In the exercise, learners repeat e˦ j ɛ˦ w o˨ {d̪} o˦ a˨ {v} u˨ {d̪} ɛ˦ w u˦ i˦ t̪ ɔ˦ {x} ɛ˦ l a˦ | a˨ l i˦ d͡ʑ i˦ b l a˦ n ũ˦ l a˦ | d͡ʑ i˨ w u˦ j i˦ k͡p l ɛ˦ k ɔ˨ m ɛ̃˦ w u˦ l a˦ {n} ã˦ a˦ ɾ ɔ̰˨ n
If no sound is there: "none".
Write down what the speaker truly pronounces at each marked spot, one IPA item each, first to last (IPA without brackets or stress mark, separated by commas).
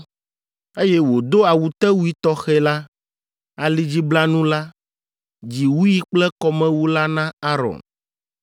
d̪, w, t̪, x, n